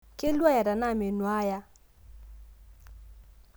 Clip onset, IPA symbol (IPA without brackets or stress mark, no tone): k